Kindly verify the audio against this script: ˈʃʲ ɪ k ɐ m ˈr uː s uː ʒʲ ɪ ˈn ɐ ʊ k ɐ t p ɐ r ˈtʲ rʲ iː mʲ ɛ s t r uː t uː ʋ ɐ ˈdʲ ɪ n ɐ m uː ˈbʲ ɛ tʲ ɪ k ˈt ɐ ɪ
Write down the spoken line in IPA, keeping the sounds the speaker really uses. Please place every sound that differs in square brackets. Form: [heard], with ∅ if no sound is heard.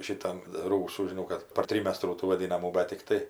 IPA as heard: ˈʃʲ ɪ [t] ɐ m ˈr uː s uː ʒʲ ɪ ˈn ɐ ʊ k ɐ t p ɐ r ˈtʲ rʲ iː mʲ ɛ s t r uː t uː ʋ ɐ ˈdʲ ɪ n ɐ m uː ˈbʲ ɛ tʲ ɪ k ˈt ɐ ɪ